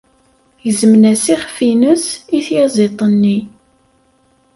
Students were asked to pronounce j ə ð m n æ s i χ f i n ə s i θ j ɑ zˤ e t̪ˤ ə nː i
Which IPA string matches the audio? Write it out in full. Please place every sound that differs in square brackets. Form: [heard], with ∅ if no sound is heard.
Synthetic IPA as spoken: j ə [z] m n æ s i χ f i n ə s i θ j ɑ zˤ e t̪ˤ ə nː i